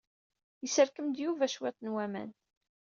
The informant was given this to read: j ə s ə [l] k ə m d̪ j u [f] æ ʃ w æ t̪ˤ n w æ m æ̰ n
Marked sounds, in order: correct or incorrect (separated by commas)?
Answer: incorrect, incorrect